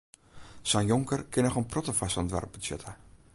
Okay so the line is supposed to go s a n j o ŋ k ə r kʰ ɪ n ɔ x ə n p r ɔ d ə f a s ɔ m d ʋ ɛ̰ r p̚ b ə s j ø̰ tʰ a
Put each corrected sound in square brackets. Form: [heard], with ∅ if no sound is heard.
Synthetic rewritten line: s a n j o ŋ k ə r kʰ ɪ n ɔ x ə n p r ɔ [t] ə f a s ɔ [n] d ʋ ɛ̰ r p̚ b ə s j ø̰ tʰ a